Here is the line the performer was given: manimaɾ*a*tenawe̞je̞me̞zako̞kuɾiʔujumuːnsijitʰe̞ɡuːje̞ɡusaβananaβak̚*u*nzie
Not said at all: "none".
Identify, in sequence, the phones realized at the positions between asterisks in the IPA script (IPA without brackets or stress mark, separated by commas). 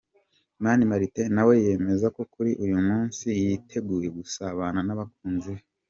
i, uː